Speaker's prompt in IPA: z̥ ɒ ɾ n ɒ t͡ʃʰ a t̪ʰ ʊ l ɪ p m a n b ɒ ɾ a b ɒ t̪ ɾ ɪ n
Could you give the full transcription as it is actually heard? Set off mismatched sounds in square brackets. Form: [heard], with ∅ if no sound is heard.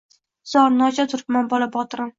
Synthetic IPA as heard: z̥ ɒ ɾ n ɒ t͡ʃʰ a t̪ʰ ʊ [ɾ] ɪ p m a n b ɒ [l] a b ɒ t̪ ɾ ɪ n